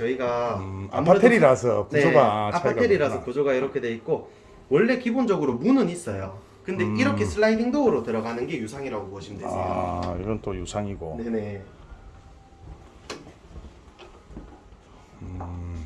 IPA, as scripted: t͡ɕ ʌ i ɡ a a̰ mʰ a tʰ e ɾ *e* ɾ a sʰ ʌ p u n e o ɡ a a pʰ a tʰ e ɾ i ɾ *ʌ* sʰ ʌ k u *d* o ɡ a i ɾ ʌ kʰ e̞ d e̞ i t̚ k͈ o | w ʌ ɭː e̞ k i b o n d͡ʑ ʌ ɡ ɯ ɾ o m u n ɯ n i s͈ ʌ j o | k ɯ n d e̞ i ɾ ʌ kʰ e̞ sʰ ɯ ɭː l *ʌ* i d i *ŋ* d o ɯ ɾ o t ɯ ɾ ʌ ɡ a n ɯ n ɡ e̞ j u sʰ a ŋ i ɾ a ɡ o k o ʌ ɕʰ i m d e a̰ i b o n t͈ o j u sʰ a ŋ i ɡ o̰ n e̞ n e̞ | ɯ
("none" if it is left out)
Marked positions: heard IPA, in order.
i, a, d͡ʑ, a, ŋ

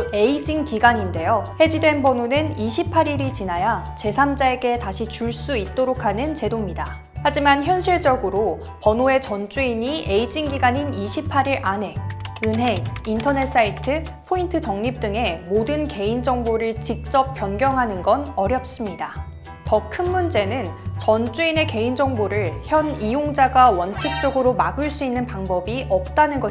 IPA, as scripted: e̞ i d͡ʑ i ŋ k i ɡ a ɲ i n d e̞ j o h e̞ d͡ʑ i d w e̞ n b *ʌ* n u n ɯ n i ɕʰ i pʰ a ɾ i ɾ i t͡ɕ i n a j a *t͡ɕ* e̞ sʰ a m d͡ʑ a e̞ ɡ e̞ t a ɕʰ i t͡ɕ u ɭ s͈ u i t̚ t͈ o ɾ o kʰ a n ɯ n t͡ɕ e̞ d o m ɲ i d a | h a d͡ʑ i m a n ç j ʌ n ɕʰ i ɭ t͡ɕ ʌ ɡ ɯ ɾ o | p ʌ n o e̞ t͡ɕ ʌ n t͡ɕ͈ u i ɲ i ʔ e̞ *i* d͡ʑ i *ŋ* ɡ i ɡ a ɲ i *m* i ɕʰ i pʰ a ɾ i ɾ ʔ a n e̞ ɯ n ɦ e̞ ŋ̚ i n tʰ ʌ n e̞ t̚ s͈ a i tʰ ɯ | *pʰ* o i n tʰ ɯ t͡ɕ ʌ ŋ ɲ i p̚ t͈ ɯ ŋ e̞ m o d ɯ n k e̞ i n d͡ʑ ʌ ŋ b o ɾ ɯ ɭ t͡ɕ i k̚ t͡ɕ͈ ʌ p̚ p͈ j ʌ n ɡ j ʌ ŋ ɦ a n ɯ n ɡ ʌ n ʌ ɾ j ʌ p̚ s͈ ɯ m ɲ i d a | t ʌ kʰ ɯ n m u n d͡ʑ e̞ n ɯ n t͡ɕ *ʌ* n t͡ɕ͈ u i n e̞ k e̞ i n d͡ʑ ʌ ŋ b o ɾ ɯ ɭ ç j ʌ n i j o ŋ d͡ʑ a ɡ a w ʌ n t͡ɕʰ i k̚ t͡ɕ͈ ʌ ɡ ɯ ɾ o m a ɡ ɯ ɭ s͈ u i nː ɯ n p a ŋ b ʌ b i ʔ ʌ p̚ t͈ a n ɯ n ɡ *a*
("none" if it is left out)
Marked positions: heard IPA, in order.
ʌ, t͡ɕ, i, ŋ, n, pʰ, ʌ, ʌ

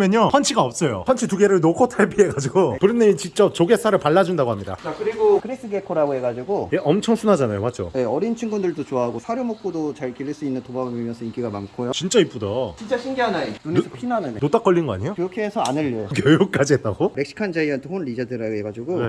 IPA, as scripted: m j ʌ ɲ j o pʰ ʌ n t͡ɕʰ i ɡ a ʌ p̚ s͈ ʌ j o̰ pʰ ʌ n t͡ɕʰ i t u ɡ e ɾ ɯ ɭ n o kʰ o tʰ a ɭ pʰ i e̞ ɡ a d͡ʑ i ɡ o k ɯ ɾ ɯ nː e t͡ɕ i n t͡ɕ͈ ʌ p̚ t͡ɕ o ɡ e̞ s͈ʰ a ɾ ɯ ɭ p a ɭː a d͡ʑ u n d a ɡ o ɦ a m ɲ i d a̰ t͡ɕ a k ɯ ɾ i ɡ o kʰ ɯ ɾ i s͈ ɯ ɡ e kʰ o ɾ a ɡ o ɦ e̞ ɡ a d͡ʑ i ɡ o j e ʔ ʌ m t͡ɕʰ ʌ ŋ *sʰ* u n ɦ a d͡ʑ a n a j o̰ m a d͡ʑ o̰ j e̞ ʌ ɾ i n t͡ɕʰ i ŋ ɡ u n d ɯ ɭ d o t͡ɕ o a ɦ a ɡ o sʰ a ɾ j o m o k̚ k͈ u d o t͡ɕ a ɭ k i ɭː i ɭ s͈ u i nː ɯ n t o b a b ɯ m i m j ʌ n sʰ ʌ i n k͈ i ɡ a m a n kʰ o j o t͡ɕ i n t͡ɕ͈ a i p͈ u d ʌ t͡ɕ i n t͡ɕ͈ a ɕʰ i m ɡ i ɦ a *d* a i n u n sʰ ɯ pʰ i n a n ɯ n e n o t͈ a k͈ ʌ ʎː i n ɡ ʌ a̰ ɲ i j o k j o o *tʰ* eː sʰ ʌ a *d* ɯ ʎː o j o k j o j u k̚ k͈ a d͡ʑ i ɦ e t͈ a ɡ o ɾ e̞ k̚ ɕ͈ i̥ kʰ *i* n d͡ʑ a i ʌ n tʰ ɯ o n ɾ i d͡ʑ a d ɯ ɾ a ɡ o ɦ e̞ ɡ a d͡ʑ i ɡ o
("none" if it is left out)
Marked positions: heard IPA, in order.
sʰ, n, kʰ, n, a

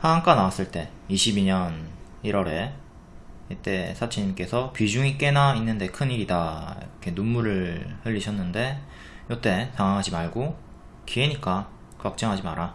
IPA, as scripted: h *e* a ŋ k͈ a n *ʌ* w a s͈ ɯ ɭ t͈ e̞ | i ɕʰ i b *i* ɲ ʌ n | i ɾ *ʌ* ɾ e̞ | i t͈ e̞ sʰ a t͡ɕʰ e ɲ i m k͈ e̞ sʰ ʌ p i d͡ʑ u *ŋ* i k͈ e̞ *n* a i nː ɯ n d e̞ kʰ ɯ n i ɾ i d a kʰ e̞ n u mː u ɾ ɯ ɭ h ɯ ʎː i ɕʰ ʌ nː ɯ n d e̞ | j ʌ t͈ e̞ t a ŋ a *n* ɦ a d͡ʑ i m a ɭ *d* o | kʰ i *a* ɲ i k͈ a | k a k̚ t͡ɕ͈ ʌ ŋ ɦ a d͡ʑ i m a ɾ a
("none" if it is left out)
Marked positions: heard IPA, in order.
a, a, i, ʌ, ŋ, n, ŋ, ɡ, e

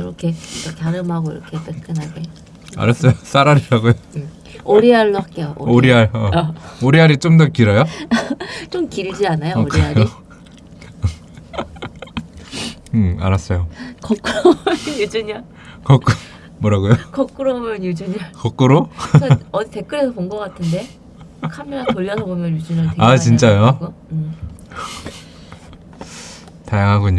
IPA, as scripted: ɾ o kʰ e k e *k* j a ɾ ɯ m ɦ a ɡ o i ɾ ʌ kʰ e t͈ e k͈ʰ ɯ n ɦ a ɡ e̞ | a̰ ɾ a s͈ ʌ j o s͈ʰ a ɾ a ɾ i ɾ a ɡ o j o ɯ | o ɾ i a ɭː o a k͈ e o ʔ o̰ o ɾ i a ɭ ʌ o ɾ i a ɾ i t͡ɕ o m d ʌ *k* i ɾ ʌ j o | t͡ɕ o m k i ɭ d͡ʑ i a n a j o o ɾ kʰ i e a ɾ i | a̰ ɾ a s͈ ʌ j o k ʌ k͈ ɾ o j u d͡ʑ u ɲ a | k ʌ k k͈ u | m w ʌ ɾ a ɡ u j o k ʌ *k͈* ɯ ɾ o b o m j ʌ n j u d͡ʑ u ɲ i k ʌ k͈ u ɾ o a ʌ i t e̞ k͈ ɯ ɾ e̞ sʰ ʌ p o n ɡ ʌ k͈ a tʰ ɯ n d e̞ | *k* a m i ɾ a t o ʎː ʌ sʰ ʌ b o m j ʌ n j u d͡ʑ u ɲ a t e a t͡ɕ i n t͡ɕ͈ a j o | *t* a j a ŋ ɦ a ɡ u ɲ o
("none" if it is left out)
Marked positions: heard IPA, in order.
k, k, k͈, kʰ, t

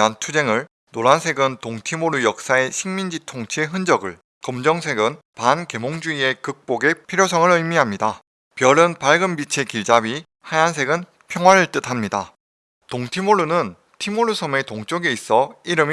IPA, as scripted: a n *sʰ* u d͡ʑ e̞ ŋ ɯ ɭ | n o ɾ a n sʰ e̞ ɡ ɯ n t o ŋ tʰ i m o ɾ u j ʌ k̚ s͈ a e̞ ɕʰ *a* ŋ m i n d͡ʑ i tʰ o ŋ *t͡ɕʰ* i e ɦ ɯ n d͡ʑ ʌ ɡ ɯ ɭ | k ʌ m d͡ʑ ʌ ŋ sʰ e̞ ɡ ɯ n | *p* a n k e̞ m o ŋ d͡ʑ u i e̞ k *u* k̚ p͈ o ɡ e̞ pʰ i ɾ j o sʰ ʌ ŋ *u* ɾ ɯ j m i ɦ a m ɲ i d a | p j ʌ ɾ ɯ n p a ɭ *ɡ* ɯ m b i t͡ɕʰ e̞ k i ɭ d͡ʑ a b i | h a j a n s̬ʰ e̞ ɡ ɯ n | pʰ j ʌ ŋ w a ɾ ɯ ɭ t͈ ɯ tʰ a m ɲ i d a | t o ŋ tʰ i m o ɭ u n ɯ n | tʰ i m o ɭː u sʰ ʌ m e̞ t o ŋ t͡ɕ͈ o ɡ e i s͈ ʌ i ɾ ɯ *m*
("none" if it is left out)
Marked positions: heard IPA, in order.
tʰ, i, t͡ɕʰ, p, ɯ, ɯ, ɡ, m

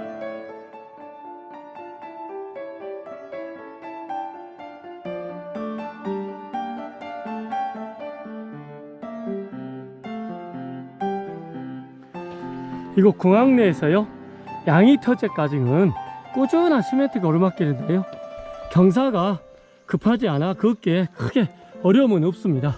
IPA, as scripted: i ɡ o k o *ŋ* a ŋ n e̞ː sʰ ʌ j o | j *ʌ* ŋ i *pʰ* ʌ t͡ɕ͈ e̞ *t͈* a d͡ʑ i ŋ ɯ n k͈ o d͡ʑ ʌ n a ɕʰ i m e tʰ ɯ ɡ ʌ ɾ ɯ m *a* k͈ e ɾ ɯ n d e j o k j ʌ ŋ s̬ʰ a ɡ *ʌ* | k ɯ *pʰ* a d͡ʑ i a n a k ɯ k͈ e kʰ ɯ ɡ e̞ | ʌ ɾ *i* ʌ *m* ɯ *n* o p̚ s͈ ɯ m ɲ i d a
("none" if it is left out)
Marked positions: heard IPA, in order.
ŋ, a, tʰ, k͈, a, a, pʰ, j, m, n

